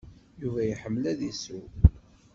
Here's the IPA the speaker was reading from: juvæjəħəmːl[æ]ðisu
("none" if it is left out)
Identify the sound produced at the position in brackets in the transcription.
æ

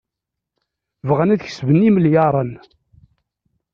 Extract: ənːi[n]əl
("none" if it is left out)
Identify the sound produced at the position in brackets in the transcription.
m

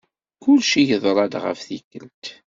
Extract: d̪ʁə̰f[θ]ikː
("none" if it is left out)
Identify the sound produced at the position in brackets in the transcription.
θ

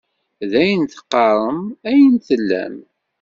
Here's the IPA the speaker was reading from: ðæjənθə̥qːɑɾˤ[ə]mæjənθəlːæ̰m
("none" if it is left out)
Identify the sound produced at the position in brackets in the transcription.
ə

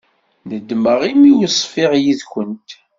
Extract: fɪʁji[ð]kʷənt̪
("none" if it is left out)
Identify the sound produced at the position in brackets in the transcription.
ð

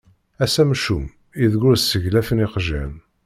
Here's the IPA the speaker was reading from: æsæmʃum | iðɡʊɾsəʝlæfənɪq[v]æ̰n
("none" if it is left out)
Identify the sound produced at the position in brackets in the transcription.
ʒ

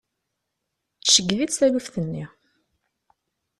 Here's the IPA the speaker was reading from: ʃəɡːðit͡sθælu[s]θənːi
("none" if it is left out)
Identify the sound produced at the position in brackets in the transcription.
f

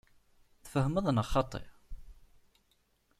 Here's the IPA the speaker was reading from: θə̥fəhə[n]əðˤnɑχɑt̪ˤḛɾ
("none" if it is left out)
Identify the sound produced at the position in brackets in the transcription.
m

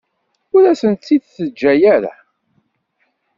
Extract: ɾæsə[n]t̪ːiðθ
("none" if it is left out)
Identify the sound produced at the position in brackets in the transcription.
n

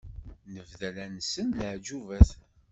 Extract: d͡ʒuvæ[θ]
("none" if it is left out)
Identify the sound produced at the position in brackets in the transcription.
θ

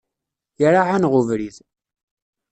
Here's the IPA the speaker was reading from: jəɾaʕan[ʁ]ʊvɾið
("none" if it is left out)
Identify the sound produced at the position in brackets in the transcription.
ʁ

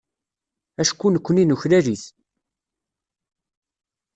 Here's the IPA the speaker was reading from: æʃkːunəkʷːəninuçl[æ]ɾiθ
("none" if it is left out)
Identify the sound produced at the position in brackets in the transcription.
æ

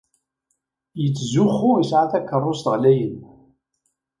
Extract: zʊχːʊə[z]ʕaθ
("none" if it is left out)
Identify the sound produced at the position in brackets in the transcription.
s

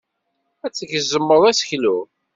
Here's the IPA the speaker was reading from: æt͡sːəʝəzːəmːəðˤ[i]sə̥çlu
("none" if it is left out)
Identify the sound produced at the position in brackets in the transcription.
æ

